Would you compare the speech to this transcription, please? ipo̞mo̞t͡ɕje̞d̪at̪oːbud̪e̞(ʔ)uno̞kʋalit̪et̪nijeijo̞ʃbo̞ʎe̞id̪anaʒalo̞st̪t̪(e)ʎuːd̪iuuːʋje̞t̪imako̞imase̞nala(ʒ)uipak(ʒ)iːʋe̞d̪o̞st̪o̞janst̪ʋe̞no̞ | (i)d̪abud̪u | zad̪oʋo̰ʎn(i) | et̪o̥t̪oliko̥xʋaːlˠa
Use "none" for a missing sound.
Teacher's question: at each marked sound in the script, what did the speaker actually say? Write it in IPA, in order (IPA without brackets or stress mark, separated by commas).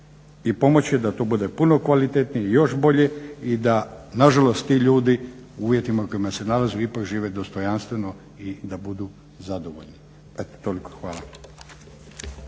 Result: p, i, z, ʒ, i, i